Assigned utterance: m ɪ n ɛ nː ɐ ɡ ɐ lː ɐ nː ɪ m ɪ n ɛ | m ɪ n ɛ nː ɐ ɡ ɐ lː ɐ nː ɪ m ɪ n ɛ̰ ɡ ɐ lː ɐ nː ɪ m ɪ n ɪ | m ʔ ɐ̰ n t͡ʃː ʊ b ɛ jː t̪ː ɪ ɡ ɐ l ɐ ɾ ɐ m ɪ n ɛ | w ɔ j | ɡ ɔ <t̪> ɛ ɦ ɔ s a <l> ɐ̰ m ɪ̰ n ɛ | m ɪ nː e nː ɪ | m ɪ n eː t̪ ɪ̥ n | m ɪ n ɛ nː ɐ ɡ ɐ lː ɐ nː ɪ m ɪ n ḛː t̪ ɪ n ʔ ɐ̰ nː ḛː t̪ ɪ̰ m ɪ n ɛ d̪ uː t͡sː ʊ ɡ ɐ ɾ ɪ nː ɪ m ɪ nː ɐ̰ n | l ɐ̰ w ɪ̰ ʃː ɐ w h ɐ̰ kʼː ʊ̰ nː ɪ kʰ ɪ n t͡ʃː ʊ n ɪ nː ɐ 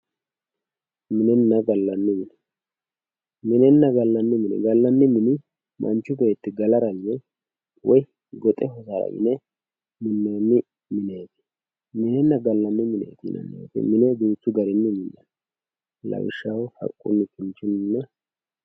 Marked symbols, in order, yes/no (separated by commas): no, no